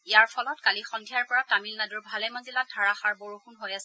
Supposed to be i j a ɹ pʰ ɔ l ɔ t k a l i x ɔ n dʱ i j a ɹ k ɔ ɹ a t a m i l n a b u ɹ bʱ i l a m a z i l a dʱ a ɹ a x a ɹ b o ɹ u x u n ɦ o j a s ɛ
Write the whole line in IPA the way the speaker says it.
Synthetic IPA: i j a ɹ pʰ ɔ l ɔ t k a l i x ɔ n dʱ i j a ɹ p ɔ ɹ a t a m i l n a d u ɹ bʱ a l ɛ m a z i l a dʱ a ɹ a x a ɹ b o ɹ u x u n ɦ o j a s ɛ